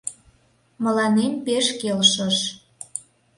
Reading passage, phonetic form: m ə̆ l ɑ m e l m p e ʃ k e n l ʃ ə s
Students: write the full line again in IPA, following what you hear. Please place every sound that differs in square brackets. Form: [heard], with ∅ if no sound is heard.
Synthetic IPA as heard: m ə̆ l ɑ [n] e [∅] m p e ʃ k e [∅] l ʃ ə [ʃ]